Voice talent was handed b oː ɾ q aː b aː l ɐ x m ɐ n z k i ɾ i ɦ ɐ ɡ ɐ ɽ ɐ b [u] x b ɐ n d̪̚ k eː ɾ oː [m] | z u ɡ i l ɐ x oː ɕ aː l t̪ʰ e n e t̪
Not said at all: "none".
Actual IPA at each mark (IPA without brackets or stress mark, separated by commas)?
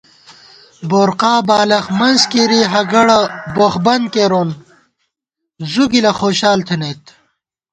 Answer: o, n